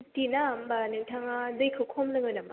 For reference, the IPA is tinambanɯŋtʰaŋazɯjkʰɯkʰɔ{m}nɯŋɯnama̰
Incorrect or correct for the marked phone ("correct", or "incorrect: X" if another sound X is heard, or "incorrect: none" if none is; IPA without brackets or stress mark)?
correct